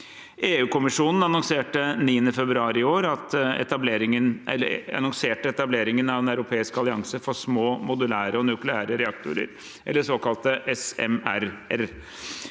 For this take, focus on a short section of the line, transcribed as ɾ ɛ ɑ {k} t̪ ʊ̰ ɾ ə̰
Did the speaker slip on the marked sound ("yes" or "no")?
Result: no